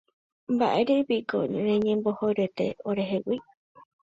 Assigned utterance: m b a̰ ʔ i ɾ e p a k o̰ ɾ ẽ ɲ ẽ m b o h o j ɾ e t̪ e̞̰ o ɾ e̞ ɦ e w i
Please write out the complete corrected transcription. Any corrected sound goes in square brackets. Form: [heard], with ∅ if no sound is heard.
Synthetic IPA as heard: m b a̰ ʔ [e] ɾ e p [i] k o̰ ɾ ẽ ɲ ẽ m b o h o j ɾ e t̪ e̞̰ o ɾ e̞ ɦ e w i